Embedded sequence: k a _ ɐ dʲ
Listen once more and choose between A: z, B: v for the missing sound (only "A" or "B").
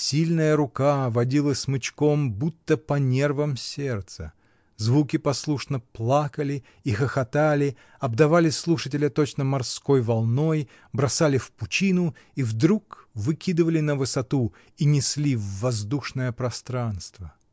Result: B